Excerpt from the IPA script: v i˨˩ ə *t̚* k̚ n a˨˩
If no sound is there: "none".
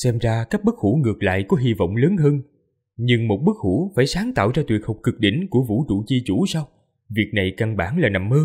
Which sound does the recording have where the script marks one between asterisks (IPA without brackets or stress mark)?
none